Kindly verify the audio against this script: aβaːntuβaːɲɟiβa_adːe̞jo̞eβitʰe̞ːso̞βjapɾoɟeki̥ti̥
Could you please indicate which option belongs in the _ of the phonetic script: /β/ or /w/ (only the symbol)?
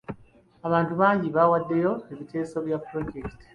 w